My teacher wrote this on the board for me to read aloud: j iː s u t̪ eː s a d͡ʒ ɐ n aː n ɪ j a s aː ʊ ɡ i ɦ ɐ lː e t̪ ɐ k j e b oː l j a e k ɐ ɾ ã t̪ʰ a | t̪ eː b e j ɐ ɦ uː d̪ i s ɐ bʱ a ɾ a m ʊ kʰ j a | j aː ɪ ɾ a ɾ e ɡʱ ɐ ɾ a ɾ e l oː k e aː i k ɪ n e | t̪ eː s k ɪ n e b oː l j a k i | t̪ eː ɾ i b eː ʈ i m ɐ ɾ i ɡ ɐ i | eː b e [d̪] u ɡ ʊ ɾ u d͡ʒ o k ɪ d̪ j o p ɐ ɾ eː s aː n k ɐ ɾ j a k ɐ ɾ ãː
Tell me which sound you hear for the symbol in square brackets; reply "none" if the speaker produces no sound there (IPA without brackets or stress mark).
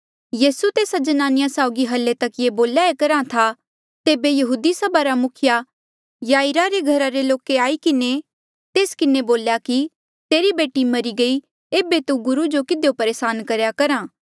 t̪